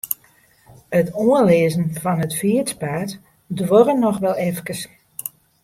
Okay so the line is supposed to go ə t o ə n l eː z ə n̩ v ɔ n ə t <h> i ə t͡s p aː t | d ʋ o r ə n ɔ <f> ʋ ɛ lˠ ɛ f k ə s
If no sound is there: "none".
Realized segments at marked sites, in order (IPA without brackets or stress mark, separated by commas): f, x